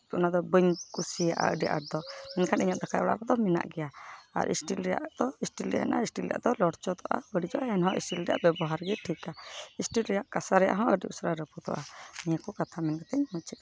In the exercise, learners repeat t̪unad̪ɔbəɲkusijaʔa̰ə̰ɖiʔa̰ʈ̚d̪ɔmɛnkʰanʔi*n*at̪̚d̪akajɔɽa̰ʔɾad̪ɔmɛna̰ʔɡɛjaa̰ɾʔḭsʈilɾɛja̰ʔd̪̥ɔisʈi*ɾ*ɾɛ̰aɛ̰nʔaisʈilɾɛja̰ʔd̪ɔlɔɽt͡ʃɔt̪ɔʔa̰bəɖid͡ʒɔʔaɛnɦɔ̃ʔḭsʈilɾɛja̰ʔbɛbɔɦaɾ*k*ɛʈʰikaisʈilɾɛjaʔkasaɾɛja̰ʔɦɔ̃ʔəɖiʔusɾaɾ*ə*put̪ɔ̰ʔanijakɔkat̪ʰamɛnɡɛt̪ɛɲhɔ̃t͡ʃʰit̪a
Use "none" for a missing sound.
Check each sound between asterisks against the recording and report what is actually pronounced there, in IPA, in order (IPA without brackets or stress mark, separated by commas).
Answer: ɲ, l, ɡ, ə